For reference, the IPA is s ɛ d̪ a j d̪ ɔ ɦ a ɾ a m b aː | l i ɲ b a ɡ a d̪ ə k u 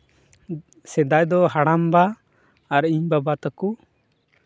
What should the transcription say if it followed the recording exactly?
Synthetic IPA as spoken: s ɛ d̪ a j d̪ ɔ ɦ a ɽ a m b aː | ɾ i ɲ b a b a t̪ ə k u